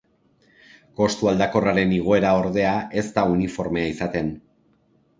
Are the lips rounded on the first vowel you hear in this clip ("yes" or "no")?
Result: yes